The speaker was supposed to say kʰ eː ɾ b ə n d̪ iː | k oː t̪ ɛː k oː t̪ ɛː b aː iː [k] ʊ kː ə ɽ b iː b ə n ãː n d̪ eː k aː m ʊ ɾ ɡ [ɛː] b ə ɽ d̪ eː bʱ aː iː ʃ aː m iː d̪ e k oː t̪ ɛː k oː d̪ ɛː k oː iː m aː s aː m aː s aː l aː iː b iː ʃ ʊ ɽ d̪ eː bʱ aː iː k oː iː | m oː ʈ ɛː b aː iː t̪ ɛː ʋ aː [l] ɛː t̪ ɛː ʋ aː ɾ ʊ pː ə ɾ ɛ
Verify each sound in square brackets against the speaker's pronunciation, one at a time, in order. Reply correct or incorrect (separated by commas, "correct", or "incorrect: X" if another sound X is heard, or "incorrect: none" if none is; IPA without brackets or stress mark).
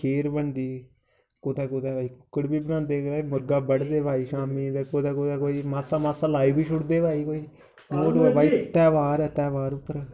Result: correct, incorrect: aː, incorrect: ɾ